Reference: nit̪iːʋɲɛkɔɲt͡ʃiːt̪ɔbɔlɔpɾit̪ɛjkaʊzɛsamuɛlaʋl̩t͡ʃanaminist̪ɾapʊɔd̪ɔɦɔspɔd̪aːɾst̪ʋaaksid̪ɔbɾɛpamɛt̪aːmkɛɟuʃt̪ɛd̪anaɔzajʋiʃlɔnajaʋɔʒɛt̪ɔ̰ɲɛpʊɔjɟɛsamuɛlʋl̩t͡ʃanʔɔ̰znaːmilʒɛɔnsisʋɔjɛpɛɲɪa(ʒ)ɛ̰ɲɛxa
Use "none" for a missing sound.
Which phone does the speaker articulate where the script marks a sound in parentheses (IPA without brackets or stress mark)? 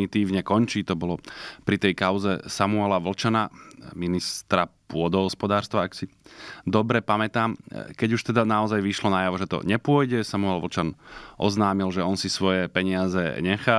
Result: z